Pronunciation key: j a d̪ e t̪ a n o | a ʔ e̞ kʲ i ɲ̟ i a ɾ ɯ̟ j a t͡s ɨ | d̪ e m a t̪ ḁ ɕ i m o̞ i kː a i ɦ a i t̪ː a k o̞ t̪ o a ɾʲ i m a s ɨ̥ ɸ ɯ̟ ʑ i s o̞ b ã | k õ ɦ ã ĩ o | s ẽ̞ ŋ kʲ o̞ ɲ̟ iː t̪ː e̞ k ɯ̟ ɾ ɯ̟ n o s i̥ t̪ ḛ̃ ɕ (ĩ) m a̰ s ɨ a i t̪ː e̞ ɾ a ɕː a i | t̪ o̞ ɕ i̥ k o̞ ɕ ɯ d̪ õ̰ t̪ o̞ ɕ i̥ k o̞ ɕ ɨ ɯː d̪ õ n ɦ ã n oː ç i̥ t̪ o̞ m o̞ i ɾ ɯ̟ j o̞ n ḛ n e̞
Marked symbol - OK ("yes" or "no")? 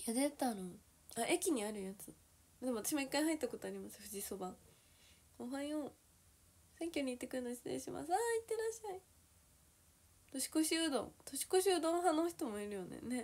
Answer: no